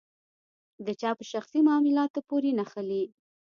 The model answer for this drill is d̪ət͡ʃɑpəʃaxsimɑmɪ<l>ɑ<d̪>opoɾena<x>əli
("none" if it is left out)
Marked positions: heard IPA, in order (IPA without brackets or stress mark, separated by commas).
l, t̪, x